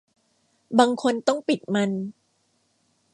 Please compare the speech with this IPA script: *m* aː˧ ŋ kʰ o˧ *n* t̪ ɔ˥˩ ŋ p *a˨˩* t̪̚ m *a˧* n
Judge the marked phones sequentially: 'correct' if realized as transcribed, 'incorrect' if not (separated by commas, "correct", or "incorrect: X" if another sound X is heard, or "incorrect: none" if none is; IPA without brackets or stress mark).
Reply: incorrect: b, correct, incorrect: i˨˩, correct